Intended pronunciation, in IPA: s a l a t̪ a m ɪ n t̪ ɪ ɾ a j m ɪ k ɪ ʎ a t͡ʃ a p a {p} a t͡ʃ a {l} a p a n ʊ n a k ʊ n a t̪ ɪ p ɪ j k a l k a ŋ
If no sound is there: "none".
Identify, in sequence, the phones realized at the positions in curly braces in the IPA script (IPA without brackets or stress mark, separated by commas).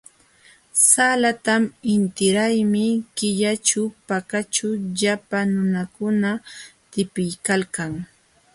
k, ʎ